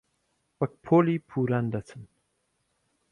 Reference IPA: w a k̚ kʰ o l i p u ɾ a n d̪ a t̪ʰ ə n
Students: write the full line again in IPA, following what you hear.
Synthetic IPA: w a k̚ pʰ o l i pʰ u ɾ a n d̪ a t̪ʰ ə n